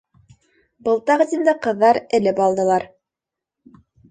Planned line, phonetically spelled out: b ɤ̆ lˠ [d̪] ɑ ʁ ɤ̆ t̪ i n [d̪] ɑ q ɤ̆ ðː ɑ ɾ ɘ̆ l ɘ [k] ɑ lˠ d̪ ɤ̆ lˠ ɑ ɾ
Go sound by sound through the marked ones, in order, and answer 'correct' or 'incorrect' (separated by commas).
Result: incorrect, correct, incorrect